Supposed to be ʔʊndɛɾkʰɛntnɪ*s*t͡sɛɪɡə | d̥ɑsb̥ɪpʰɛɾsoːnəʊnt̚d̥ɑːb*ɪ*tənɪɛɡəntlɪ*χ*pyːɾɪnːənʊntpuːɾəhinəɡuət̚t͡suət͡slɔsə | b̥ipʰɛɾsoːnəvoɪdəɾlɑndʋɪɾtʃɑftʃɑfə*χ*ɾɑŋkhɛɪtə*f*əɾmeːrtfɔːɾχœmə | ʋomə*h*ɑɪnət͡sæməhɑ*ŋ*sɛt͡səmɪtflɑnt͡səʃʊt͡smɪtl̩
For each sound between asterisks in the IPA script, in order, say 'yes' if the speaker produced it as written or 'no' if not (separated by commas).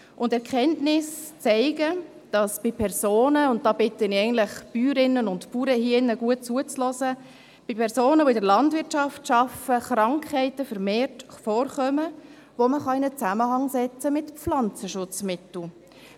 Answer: yes, yes, yes, yes, yes, no, yes